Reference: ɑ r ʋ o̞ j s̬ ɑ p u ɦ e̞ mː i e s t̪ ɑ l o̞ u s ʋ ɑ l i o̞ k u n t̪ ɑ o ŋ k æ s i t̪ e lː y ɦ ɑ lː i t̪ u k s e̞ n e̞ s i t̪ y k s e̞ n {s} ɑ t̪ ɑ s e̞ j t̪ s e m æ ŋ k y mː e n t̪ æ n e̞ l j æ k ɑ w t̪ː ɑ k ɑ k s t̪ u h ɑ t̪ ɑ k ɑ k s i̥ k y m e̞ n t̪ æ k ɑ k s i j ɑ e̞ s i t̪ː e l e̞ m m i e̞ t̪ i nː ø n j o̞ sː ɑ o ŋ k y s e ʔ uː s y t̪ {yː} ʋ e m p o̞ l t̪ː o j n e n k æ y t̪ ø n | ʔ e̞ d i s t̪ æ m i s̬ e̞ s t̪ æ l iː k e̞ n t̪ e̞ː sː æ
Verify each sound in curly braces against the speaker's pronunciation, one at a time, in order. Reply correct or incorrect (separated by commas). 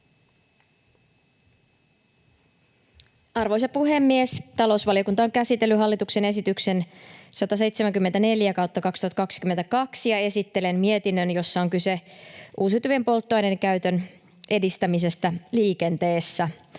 correct, incorrect